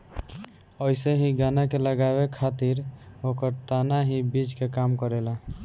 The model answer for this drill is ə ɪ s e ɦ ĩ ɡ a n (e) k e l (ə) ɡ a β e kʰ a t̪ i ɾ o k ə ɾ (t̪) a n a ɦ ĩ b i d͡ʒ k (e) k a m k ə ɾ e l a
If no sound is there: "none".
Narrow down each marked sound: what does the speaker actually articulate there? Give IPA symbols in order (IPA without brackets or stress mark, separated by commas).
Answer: a, ə, t̪, e